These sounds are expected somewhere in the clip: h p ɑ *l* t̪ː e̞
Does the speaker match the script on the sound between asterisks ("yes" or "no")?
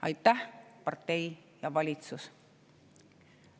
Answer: no